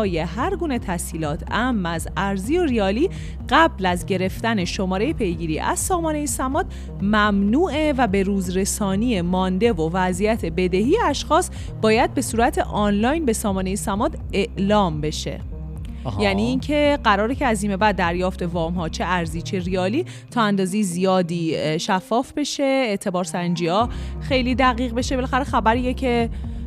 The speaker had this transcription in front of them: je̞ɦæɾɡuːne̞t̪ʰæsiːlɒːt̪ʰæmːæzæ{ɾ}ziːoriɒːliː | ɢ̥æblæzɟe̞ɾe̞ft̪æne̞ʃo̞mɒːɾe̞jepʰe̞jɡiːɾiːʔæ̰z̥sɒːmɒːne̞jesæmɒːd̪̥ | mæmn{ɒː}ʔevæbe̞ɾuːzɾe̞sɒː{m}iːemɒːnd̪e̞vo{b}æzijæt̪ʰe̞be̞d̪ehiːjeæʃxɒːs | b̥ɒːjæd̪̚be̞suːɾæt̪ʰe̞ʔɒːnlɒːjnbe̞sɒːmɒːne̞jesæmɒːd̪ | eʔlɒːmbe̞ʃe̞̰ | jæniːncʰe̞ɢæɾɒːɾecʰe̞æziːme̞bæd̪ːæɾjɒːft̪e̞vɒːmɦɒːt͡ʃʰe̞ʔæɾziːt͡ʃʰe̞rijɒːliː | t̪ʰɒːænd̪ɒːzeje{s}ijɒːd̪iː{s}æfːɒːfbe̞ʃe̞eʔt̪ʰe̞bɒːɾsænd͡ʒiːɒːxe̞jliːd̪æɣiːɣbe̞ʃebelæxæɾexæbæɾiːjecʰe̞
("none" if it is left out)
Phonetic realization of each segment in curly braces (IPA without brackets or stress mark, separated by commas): ɾ, uː, n, v, z, ʃ